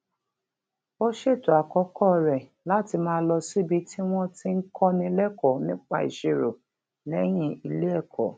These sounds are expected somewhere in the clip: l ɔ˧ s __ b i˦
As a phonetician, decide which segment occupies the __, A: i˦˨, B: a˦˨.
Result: A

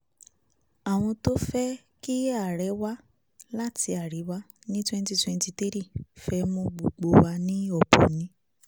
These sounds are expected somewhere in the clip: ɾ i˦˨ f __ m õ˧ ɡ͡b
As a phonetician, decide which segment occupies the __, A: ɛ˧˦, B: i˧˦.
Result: A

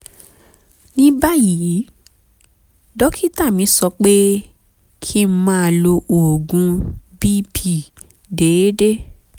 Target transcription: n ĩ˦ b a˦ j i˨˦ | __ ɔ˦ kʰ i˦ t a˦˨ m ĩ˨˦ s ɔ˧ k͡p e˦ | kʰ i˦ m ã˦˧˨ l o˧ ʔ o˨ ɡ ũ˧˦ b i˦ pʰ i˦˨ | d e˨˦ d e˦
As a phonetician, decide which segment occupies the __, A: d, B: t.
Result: A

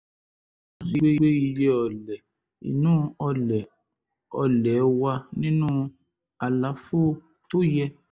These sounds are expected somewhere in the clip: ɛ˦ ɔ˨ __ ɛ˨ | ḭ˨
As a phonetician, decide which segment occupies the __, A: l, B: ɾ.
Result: A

